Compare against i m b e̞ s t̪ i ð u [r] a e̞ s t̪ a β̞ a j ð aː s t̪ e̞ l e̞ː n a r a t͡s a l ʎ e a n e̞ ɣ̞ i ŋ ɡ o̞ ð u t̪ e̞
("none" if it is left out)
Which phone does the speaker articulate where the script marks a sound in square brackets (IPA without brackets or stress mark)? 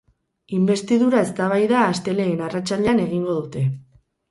ɾ